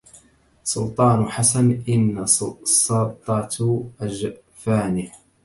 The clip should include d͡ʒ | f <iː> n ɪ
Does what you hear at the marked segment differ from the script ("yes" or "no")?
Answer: yes